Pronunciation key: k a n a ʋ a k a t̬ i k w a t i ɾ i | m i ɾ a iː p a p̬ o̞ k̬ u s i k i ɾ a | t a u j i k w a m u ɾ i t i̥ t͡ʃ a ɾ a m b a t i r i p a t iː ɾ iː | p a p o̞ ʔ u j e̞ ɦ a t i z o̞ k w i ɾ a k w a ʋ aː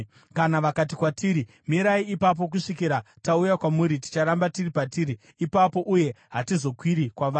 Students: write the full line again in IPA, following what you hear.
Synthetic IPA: k a n a ʋ a k a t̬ i k w a t i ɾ i | m i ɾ a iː p a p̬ o̞ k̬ u ʂ i k i ɾ a | t a u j a k w a m u ɾ i t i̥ t͡ʃ a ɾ a m b a t i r i p a t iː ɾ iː | p a p o̞ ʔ u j e̞ ɦ a t i z o̞ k w i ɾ i k w a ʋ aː